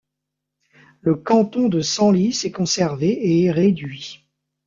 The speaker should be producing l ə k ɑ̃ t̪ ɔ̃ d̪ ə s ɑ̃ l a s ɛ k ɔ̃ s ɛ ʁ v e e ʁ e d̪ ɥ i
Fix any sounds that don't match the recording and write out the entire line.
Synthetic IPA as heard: l ə k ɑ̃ t̪ ɔ̃ d̪ ə s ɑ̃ l i s ɛ k ɔ̃ s ɛ ʁ v e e ʁ e d̪ ɥ i